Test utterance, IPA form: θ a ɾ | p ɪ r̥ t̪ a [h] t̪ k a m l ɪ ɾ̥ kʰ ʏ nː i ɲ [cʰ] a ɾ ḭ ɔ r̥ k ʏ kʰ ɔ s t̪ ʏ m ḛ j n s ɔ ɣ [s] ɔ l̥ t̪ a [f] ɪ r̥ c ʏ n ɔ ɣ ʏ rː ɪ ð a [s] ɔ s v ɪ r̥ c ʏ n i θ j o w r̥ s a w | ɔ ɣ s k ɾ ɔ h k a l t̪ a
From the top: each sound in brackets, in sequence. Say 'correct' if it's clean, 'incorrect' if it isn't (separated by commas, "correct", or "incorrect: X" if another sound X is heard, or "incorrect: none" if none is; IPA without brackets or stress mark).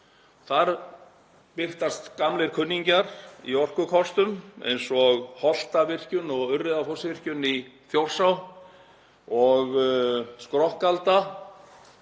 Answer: incorrect: s, incorrect: c, incorrect: h, incorrect: v, incorrect: f